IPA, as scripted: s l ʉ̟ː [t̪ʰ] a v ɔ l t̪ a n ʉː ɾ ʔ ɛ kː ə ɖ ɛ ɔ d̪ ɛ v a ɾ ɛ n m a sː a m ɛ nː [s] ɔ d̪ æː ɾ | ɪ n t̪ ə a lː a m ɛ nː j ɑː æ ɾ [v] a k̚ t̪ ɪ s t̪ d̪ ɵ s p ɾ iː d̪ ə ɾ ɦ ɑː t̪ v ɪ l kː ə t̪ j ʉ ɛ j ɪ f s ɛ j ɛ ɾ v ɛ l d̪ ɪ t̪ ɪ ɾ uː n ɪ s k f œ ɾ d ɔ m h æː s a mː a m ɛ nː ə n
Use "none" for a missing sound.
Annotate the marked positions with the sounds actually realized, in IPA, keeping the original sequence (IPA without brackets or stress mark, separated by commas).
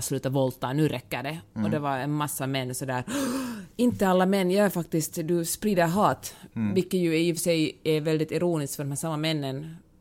t̪, s, f